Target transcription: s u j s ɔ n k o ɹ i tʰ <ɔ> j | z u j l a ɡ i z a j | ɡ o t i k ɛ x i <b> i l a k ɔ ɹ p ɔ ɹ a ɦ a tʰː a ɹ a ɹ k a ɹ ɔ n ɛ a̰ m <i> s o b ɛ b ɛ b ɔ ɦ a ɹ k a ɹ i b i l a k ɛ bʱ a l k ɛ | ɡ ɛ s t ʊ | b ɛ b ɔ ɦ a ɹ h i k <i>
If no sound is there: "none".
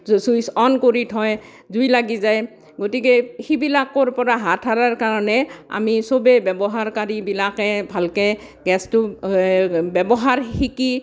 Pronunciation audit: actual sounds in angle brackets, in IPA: ɔ, b, i, i

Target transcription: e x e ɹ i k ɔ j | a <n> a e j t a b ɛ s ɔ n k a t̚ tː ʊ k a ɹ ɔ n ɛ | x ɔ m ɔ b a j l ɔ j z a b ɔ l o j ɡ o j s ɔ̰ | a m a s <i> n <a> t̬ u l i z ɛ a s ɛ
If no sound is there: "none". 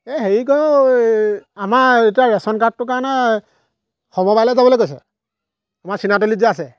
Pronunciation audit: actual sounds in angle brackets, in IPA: m, i, a

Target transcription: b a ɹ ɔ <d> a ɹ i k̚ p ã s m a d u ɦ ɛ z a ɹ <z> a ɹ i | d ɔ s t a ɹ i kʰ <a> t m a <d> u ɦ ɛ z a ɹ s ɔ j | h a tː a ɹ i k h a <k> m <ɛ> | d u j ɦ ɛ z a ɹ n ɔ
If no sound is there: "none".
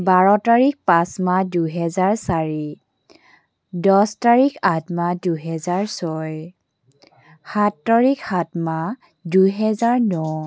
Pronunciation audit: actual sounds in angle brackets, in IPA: t, s, a, d, t, a

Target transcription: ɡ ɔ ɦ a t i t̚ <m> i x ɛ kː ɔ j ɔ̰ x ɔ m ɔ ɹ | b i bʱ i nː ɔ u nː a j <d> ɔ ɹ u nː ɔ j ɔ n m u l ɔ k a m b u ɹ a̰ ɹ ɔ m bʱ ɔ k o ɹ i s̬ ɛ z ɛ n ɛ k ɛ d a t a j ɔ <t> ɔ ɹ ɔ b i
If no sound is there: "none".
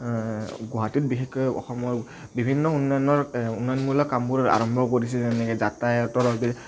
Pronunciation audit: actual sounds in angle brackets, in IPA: b, n, t

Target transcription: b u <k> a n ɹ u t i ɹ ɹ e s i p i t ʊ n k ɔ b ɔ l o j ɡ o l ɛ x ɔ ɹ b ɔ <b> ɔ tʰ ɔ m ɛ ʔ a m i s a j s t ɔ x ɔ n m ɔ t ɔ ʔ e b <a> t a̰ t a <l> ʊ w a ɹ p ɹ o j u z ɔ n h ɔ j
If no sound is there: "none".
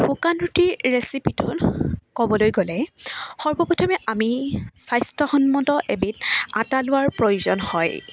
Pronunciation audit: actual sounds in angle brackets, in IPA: k, p, i, l

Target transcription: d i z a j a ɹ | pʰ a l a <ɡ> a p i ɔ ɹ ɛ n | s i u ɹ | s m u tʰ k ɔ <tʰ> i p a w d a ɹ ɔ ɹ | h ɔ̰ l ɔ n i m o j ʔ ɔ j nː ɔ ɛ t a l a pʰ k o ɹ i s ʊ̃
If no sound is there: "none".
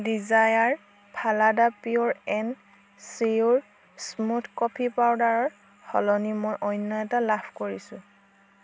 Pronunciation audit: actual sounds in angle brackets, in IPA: d, pʰ

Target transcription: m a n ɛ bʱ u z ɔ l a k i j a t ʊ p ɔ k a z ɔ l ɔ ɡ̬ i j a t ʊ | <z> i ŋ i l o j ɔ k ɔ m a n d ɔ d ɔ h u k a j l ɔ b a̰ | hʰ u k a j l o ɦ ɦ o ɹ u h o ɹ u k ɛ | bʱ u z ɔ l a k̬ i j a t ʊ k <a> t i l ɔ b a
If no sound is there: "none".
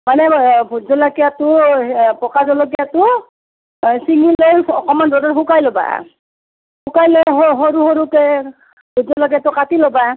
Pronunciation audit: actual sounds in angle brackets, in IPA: s, a

